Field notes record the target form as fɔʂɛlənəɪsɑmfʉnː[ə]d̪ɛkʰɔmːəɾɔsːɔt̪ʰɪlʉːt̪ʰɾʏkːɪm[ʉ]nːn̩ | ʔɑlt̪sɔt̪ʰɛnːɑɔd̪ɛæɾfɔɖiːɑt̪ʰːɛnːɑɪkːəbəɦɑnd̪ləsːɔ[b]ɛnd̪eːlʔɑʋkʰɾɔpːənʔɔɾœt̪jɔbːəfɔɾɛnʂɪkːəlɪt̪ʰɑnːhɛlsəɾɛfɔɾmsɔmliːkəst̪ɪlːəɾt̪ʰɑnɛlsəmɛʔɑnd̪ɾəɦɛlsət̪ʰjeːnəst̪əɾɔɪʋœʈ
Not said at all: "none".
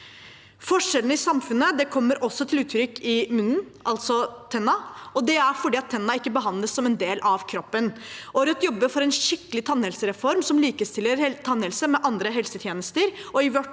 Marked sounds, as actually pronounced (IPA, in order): ə, ʉ, m

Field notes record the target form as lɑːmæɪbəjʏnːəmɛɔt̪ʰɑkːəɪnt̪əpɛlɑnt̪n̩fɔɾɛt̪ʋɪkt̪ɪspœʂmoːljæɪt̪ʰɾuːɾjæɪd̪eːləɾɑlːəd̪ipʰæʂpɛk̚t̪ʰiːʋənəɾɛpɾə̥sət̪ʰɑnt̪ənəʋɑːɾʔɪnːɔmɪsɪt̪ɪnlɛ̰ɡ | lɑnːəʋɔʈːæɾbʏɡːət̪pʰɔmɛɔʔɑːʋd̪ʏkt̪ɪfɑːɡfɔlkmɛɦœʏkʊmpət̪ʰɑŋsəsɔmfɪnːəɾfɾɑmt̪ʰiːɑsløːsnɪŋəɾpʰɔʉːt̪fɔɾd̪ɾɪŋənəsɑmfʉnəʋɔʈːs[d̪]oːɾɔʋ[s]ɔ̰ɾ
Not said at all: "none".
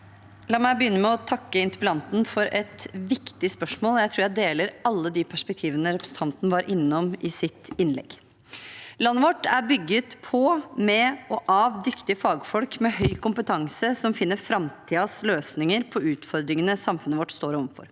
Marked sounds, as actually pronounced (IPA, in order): t̪, f

